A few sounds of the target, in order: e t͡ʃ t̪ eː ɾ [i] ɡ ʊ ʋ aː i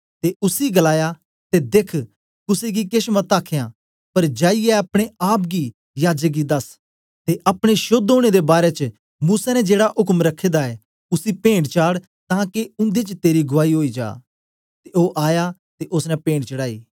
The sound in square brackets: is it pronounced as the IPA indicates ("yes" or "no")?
yes